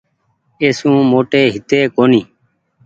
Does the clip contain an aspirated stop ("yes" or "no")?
no